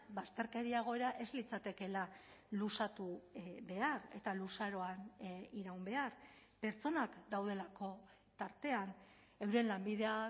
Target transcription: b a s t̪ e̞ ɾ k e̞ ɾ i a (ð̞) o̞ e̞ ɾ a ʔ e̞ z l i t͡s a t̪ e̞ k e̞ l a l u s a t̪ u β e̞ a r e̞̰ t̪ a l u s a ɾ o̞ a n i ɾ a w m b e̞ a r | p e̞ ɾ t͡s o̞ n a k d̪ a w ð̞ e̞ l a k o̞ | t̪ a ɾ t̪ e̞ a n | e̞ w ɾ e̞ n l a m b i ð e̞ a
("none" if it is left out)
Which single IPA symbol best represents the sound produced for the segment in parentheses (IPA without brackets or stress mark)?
ɣ̞